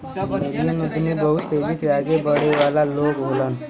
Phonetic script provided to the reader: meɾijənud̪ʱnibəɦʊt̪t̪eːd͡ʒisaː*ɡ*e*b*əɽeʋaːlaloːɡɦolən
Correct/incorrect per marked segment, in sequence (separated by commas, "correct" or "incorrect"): correct, correct